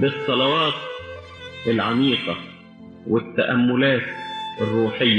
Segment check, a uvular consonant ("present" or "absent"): present